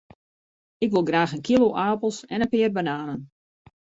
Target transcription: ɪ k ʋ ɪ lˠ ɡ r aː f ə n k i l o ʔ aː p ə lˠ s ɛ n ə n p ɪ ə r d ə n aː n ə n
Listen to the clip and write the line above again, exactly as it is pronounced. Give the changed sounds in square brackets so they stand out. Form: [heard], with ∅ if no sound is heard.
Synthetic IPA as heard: ɪ k ʋ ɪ lˠ ɡ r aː [x] ə n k i l o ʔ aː p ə lˠ s ɛ n ə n p ɪ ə r [b] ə n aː n ə n